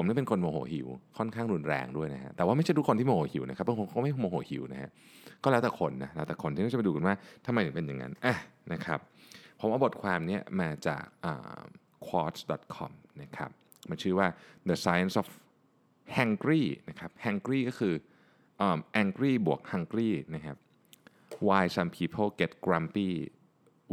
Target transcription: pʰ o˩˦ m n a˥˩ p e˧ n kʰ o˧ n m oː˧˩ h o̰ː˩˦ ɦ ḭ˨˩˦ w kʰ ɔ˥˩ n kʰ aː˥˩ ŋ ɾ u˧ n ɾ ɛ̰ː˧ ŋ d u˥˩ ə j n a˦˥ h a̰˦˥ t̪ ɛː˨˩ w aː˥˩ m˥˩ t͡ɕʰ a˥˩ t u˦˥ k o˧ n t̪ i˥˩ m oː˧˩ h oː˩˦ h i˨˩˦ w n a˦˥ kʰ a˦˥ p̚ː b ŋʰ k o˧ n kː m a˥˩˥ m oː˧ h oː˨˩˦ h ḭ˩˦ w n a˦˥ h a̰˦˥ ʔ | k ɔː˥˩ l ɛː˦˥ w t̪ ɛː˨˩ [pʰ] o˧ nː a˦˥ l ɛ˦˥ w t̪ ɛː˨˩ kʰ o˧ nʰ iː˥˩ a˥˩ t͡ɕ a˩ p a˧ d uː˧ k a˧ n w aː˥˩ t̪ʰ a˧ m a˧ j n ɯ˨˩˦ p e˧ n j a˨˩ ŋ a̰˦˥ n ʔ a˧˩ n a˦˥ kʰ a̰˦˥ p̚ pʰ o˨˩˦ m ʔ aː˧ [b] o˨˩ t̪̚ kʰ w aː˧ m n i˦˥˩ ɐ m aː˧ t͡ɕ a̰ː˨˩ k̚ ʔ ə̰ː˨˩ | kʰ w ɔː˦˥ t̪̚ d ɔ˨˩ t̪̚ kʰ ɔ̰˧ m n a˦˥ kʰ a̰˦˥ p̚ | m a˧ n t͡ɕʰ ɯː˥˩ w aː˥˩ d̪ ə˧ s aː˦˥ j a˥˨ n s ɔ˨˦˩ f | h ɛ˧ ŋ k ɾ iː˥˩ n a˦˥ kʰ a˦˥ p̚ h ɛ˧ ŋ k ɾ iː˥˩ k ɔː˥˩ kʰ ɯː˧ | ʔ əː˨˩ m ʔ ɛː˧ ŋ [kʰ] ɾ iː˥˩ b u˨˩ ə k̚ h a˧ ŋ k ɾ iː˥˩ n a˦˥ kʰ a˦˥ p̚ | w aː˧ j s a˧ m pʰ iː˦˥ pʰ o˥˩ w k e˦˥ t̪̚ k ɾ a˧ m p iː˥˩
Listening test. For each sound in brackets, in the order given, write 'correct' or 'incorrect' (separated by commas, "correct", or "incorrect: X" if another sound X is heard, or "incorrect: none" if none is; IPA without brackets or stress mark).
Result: incorrect: kʰ, correct, incorrect: k